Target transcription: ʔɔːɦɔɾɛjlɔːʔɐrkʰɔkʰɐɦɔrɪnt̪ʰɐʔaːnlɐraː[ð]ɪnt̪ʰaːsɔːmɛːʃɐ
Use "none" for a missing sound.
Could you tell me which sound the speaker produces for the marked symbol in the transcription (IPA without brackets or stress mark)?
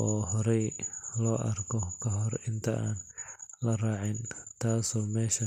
ʕ